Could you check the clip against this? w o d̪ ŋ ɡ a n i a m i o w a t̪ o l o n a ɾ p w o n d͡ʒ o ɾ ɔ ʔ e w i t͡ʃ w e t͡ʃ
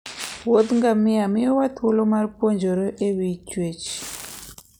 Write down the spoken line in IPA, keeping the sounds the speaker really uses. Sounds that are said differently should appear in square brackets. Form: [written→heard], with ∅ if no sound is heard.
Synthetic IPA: w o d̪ ŋ ɡ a [n→m] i a m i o w a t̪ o l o [n→m] a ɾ p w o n d͡ʒ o ɾ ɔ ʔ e w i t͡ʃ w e t͡ʃ